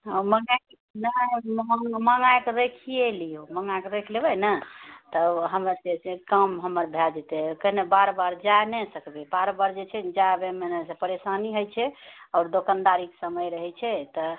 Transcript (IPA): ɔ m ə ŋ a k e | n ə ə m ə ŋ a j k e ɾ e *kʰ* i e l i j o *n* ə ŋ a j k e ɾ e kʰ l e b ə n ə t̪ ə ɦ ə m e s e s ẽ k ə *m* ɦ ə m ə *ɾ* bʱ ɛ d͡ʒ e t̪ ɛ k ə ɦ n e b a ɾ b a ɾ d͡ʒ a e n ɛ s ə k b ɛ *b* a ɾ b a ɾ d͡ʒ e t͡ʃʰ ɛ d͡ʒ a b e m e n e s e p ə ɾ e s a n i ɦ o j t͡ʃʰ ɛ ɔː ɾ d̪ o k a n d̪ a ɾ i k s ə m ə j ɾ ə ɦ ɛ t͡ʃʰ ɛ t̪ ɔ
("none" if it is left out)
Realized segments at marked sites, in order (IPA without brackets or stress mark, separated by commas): kʰ, m, m, ɾ, b